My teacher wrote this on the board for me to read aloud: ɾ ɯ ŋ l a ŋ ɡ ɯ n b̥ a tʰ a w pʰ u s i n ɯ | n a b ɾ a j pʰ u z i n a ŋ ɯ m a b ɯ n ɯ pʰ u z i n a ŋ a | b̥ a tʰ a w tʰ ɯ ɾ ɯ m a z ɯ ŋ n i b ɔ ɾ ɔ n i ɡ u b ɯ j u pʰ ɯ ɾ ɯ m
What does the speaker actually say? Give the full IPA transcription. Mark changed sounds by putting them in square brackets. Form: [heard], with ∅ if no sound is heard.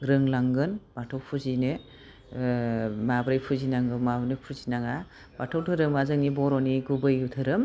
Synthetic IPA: ɾ ɯ ŋ l a ŋ ɡ ɯ n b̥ a tʰ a w pʰ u [z] i n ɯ | [m] a b ɾ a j pʰ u z i n a ŋ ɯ m a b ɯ n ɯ pʰ u z i n a ŋ a | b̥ a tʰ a w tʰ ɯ ɾ ɯ m a z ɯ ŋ n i b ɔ ɾ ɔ n i ɡ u b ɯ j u [tʰ] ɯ ɾ ɯ m